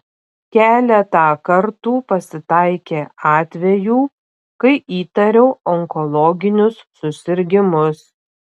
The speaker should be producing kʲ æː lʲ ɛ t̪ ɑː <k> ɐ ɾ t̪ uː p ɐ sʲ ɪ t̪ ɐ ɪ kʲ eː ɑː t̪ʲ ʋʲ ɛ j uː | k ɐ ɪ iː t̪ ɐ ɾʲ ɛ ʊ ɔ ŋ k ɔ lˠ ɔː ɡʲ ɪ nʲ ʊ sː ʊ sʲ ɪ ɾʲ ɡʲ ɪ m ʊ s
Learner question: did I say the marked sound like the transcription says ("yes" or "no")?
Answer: yes